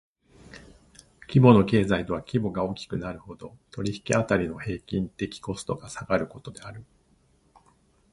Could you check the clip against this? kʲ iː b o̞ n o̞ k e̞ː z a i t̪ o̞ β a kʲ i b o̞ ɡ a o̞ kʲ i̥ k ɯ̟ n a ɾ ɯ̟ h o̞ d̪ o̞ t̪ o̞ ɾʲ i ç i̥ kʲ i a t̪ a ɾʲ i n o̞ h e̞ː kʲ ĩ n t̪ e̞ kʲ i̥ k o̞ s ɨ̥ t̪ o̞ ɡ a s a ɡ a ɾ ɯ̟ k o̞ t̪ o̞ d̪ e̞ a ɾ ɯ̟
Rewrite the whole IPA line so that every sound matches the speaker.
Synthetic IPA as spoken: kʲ i b o̞ n o̞ k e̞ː z a i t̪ o̞ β a kʲ i b o̞ ɡ a o̞ kʲ i̥ k ɯ̟ n a ɾ ɯ̟ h o̞ d̪ o̞ t̪ o̞ ɾʲ i ç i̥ kʲ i a t̪ a ɾʲ i n o̞ h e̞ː kʲ ĩ n t̪ e̞ kʲ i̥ k o̞ s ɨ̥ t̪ o̞ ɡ a s a ɡ a ɾ ɯ̟ k o̞ t̪ o̞ d̪ e̞ a ɾ ɯ̟

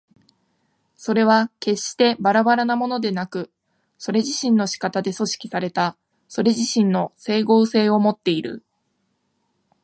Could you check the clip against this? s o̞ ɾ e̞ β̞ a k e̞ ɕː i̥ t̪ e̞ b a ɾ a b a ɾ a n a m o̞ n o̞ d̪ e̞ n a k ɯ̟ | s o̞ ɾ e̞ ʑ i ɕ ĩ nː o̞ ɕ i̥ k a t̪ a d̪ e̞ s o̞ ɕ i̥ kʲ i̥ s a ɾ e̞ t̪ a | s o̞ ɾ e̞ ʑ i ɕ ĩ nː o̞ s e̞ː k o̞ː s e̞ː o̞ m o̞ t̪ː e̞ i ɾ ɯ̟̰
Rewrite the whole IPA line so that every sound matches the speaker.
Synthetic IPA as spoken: s o̞ ɾ e̞ β̞ a k e̞ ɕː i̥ t̪ e̞ b a ɾ a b a ɾ a n a m o̞ n o̞ d̪ e̞ n a k ɯ̟ | s o̞ ɾ e̞ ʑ i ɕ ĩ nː o̞ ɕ i̥ k a t̪ a d̪ e̞ s o̞ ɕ i̥ kʲ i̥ s a ɾ e̞ t̪ a | s o̞ ɾ e̞ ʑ i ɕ ĩ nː o̞ s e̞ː ɡ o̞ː s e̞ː o̞ m o̞ t̪ː e̞ i ɾ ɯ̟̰

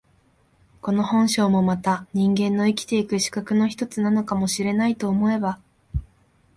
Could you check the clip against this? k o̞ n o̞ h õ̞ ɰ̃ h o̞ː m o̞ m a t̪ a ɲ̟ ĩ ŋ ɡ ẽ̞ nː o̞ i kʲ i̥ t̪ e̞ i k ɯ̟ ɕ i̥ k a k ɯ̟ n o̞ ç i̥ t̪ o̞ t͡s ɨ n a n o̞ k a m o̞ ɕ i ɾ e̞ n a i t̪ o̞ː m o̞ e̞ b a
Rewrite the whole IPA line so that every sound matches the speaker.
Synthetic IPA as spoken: k o̞ n o̞ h õ̞ ɰ̃ ɕ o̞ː m o̞ m a t̪ a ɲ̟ ĩ ŋ ɡ ẽ̞ nː o̞ i kʲ i̥ t̪ e̞ i k ɯ̟ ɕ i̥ k a k ɯ̟ n o̞ ç i̥ t̪ o̞ t͡s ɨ n a n o̞ k a m o̞ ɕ i ɾ e̞ n a i t̪ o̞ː m o̞ e̞ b a

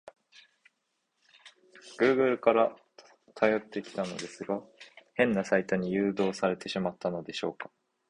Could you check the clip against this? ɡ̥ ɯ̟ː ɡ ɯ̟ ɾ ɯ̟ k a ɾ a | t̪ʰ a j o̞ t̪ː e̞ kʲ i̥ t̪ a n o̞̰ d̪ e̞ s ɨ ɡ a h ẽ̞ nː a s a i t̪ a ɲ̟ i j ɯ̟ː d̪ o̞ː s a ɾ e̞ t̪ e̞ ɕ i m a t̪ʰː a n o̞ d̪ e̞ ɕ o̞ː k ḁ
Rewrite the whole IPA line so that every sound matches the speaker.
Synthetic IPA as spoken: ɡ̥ ɯ̟ː ɡ ɯ̟ ɾ ɯ̟ k a ɾ a | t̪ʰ a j o̞ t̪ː e̞ kʲ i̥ t̪ a n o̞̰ d̪ e̞ s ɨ ɡ a h ẽ̞ nː a s a i t̪ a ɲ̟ i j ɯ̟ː d̪ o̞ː s a ɾ e̞ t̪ e̞ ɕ i m a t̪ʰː a n o̞ d̪ e̞ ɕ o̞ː k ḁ

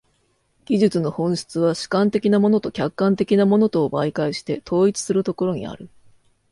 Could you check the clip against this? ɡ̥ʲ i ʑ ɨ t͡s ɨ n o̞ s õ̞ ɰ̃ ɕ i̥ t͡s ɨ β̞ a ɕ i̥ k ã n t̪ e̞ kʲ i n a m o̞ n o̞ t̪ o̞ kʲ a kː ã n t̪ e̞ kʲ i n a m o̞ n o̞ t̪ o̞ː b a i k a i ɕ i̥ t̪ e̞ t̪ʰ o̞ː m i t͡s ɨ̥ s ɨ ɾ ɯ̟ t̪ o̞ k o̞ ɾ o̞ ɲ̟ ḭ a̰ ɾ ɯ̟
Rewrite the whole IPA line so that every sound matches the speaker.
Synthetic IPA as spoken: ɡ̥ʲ i ʑ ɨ t͡s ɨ n o̞ h õ̞ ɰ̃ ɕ i̥ t͡s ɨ β̞ a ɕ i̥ k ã n t̪ e̞ kʲ i n a m o̞ n o̞ t̪ o̞ kʲ a kː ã n t̪ e̞ kʲ i n a m o̞ n o̞ t̪ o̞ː b a i k a i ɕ i̥ t̪ e̞ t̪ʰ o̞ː i t͡s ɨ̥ s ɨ ɾ ɯ̟ t̪ o̞ k o̞ ɾ o̞ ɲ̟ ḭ a̰ ɾ ɯ̟

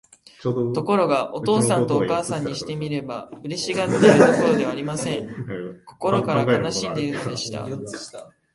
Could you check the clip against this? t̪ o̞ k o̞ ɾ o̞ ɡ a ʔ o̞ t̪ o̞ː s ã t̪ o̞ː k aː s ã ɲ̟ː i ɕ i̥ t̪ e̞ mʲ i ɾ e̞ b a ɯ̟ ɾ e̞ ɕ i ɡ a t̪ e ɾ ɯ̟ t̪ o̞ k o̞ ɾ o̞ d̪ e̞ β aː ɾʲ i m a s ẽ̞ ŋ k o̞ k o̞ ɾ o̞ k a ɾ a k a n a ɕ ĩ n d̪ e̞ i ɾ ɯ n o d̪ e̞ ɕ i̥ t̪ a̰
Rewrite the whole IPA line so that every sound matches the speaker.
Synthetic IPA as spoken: t̪ o̞ k o̞ ɾ o̞ ɡ a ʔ o̞ t̪ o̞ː s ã t̪ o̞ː k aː s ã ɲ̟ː i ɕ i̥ t̪ e̞ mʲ i ɾ e̞ b a ɯ̟ ɾ e̞ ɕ i ɡ a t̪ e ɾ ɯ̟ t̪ o̞ k o̞ ɾ o̞ d̪ e̞ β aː ɾʲ i m a s ẽ̞ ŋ k o̞ k o̞ ɾ o̞ k a ɾ a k a n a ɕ ĩ n d̪ e̞ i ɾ ɯ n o d̪ e̞ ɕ i̥ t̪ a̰

